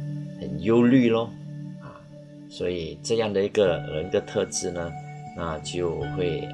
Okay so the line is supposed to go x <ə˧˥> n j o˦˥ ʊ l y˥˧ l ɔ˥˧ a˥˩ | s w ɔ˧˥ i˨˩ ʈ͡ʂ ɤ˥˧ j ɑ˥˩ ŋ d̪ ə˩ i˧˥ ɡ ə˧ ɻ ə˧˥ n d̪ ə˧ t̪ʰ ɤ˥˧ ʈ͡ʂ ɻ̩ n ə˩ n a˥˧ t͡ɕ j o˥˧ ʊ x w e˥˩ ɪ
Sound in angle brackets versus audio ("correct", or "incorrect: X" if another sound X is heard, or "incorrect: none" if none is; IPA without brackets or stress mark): incorrect: ə˨˩